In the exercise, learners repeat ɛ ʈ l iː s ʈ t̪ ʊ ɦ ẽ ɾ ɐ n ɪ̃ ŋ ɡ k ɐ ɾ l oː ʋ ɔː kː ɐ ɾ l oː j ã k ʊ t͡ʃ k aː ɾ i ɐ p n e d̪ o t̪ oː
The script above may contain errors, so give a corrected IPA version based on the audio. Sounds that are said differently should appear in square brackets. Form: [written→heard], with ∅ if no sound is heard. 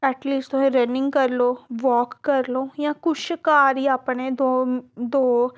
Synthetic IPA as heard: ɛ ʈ l iː s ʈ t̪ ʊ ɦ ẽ ɾ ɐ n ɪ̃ ŋ ɡ k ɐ ɾ l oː ʋ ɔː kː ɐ ɾ l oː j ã k ʊ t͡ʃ k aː ɾ i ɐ p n e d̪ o [t̪→d̪] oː